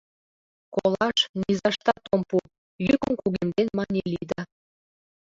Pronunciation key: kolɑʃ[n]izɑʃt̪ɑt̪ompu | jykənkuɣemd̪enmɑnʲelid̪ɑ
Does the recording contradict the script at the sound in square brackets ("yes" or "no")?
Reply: no